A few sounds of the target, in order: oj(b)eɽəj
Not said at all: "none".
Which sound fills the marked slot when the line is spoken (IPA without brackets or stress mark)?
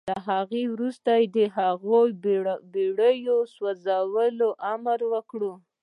b